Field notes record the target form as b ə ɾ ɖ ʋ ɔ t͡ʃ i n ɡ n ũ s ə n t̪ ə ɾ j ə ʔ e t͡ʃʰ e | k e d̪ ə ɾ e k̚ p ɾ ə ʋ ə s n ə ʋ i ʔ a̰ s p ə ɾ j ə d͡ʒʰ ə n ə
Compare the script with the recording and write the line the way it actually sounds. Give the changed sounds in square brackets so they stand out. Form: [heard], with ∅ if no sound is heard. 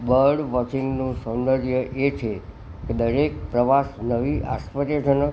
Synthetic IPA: b ə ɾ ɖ ʋ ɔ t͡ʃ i [ŋ] ɡ n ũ s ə n [d̪] ə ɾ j ə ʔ e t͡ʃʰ e | k e d̪ ə ɾ e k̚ p ɾ ə ʋ [a] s n ə ʋ i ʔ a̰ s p ə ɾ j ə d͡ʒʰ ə n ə